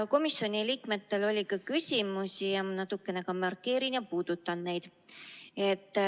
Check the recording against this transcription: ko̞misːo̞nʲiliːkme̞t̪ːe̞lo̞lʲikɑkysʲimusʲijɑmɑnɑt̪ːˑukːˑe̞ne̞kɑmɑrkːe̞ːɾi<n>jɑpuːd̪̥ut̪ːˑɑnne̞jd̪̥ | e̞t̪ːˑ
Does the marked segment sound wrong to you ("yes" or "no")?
no